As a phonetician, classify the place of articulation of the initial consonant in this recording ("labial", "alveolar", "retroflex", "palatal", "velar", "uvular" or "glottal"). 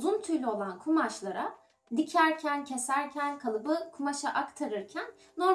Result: alveolar